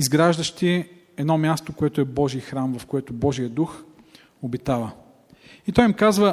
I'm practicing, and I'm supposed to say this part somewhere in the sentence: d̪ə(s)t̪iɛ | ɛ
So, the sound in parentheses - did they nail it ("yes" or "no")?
no